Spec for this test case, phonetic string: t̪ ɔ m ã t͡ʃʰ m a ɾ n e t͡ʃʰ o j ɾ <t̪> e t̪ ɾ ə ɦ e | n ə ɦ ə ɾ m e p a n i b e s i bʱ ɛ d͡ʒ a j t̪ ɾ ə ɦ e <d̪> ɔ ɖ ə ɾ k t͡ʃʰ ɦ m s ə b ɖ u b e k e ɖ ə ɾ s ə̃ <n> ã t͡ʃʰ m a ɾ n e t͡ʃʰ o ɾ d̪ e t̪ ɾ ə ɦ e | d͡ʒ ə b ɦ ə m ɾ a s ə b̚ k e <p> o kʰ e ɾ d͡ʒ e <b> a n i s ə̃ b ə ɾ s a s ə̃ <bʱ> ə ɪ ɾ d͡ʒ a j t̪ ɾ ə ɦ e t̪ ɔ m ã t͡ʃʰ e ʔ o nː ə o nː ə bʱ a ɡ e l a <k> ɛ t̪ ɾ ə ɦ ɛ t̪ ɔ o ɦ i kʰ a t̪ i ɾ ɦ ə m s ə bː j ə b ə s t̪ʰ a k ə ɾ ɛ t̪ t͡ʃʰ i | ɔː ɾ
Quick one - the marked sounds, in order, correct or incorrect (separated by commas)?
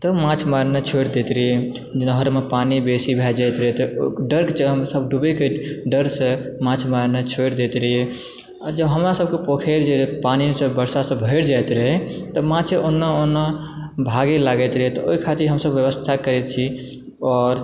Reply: incorrect, incorrect, incorrect, correct, incorrect, correct, incorrect